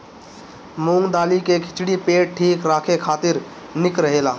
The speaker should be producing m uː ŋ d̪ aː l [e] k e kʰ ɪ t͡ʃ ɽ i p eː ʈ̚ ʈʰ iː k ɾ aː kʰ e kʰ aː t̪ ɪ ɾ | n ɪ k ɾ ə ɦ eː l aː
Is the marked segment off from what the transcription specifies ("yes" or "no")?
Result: yes